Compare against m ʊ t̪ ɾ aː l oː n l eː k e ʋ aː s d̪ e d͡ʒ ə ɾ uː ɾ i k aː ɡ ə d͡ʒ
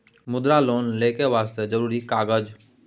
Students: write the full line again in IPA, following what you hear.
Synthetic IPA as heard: m ʊ d̪ ɾ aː l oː n l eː k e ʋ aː s t̪ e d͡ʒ ə ɾ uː ɾ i k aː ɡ ə d͡ʒ